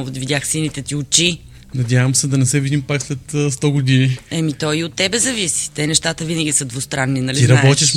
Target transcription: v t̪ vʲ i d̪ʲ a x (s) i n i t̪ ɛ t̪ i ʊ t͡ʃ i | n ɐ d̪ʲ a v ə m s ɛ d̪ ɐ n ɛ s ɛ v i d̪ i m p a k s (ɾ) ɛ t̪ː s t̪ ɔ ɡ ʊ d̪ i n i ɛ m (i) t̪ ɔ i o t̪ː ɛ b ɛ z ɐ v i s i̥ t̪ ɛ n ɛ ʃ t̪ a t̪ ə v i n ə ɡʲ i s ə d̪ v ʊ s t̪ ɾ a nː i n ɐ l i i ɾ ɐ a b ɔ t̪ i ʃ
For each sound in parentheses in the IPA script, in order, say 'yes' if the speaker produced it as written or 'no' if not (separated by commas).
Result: yes, no, yes